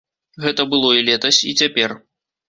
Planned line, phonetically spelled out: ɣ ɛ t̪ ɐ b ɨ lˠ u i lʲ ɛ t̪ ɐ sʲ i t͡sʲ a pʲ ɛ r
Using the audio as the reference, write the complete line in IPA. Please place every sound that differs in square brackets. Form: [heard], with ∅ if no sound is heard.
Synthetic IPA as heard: ɣ ɛ t̪ ɐ b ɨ lˠ [ɔ] i lʲ ɛ t̪ ɐ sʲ i t͡sʲ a pʲ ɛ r